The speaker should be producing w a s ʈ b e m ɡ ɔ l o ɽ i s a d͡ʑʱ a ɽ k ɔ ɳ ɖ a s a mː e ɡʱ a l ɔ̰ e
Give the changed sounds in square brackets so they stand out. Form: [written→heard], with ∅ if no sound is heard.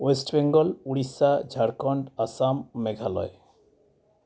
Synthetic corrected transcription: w [a→e] s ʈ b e [m→ŋ] ɡ ɔ l [o→u] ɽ i s a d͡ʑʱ a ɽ k ɔ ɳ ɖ a s a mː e ɡʱ a l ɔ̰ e